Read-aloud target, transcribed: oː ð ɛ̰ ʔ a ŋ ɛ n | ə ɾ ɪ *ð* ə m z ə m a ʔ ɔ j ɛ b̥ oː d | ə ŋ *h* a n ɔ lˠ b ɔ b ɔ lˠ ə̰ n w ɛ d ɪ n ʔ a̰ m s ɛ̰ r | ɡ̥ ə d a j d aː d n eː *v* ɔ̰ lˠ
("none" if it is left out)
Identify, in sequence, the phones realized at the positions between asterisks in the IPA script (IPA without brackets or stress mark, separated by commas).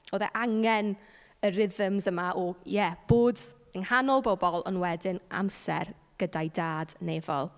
ð, h, v